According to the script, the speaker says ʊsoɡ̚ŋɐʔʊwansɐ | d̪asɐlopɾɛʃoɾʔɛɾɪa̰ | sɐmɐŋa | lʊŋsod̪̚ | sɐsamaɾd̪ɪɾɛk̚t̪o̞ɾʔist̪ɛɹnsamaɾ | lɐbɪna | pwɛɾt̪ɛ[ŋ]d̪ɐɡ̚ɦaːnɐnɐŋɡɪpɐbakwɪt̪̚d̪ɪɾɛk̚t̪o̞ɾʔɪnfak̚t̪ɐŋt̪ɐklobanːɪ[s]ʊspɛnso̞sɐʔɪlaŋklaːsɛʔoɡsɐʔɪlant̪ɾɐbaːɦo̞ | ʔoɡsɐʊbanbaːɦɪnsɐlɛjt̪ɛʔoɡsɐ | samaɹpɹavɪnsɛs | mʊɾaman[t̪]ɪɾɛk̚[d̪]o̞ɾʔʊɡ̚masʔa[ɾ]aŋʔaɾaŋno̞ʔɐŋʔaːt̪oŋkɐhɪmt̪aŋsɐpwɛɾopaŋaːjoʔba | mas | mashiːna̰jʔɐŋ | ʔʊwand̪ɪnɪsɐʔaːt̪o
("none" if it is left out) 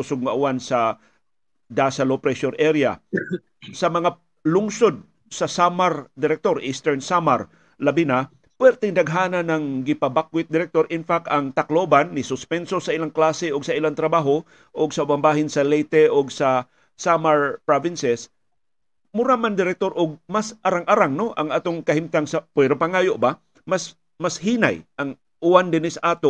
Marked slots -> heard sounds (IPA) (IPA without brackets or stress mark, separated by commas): ŋ, s, d̪, t̪, ɾ